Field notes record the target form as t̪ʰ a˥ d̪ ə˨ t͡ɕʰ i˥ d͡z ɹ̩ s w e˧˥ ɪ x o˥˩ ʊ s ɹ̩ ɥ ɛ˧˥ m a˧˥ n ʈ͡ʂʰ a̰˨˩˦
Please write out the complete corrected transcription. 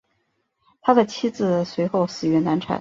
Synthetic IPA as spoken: t̪ʰ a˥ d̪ ə˨ t͡ɕʰ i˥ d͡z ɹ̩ s w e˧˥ ɪ x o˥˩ ʊ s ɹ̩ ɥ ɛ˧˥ n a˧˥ n ʈ͡ʂʰ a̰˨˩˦